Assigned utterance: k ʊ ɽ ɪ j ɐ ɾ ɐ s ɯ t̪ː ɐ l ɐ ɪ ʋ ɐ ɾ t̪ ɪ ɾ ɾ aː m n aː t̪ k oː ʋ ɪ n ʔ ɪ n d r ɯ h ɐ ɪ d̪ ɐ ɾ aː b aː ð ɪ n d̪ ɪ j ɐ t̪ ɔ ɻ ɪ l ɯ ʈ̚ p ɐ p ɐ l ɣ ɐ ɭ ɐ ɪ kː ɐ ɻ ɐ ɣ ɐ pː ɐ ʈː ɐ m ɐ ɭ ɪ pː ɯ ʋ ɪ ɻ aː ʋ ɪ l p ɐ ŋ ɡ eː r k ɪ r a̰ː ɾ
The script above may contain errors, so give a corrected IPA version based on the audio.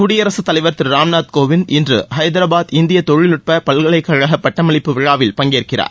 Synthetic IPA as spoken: k ʊ ɽ ɪ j ɐ ɾ ɐ s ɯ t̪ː ɐ l ɐ ɪ ʋ ɐ ɾ t̪ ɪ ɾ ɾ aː m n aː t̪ k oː ʋ ɪ n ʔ ɪ n d r ɯ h ɐ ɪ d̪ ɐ ɾ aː b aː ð ɪ n d̪ ɪ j ɐ t̪ ɔ ɻ ɪ l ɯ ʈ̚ p ɐ p ɐ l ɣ ɐ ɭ ɐ ɪ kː ɐ ɻ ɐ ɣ ɐ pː ɐ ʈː ɐ m ɐ ɭ ɪ pː ɯ ʋ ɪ ɻ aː ʋ ɪ l p ɐ ŋ ɡ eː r k ɪ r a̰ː ɾ

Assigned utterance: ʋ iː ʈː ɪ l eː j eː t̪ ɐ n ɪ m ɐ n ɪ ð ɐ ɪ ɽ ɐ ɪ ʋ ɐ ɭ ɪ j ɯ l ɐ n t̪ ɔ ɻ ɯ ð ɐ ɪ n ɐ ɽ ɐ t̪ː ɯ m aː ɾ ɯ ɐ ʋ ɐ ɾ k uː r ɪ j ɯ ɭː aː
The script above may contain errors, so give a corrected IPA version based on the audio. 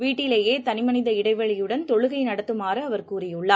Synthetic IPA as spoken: ʋ iː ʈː ɪ l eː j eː t̪ ɐ n ɪ m ɐ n ɪ ð ɐ ɪ ɽ ɐ ɪ ʋ ɐ ɭ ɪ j ɯ ɽ ɐ n t̪ ɔ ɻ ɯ ɣ ɐ ɪ n ɐ ɽ ɐ t̪ː ɯ m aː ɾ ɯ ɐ ʋ ɐ ɾ k uː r ɪ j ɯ ɭː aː

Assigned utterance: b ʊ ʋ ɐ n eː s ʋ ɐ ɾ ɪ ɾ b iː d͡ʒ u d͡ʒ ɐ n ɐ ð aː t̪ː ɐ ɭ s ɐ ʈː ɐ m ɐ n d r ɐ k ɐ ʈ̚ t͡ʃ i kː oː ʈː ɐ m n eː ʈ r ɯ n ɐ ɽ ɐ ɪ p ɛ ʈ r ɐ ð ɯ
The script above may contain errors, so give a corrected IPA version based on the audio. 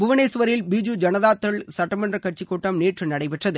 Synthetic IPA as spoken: b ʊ ʋ ɐ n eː s ʋ ɐ ɾ ɪ l b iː d͡ʒ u d͡ʒ ɐ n ɐ ð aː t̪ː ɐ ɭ s ɐ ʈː ɐ m ɐ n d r ɐ k ɐ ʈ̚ t͡ʃ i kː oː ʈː ɐ m n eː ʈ r ɯ n ɐ ɽ ɐ ɪ p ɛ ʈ r ɐ ð ɯ

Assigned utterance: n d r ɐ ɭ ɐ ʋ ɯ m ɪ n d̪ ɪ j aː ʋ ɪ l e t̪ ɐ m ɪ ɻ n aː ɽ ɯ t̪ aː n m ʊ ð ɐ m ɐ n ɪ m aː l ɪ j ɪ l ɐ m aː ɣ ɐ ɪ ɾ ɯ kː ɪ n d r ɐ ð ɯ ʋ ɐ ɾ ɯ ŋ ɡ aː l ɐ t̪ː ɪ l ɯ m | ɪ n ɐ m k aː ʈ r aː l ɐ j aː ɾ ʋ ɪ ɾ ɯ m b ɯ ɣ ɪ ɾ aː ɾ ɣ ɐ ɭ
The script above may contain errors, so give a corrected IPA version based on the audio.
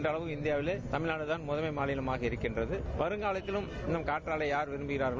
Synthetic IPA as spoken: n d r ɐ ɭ ɐ ʋ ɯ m ɪ n d̪ ɪ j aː ʋ ɪ l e t̪ ɐ m ɪ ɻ n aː ɽ ɯ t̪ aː n m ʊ ð ɐ m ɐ ɪ m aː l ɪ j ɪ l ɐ m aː ɣ ɐ ɪ ɾ ɯ kː ɪ n d r ɐ ð ɯ ʋ ɐ ɾ ɯ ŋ ɡ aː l ɐ t̪ː ɪ l ɯ m | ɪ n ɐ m k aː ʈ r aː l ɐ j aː ɾ ʋ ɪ ɾ ɯ m b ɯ ɣ ɪ ɾ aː ɾ ɣ ɐ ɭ

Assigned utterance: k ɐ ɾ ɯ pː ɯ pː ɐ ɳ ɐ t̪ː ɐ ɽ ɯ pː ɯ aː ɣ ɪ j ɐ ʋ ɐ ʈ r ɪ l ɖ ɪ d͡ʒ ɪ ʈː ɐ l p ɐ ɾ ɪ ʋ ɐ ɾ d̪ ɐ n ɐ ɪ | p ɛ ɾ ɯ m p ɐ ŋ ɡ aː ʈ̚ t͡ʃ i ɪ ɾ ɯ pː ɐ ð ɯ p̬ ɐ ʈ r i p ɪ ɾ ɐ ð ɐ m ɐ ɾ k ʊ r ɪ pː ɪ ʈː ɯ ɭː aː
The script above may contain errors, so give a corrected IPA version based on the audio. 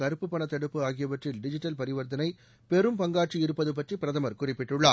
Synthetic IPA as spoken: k ɐ ɾ ɯ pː ɯ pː ɐ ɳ ɐ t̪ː ɐ ɽ ɯ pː ɯ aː ɣ ɪ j ɐ ʋ ɐ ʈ r ɪ l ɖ ɪ d͡ʒ ɪ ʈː ɐ l p ɐ ɾ ɪ ʋ ɐ ɾ d̪ ɐ n ɐ ɪ | p ɛ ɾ ɯ m p ɐ ŋ ɡ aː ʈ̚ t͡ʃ i ɪ ɾ ɯ pː ɐ ð ɯ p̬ ɐ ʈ r i p ɪ ɾ ɐ ð ɐ m ɐ ɾ k ʊ r ɪ pː ɪ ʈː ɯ ɭː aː

